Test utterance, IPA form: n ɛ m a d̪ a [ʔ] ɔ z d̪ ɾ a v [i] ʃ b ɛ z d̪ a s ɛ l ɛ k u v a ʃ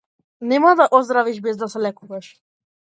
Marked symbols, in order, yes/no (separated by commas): yes, yes